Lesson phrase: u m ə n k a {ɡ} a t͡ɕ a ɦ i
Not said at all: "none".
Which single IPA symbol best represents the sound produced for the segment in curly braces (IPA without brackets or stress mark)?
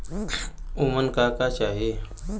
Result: k